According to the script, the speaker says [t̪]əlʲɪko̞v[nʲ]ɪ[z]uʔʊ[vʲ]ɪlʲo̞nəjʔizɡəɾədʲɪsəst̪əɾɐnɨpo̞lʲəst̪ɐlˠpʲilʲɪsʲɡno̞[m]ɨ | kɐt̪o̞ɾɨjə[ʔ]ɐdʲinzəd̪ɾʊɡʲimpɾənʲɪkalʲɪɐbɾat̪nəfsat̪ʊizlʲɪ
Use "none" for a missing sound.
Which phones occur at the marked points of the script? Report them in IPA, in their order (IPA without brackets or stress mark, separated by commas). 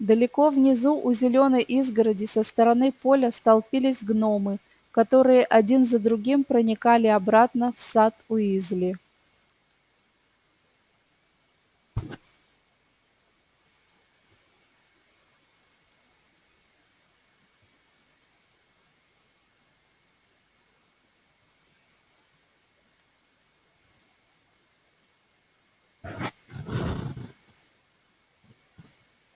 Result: d̪, nʲ, z, zʲ, m, ʔ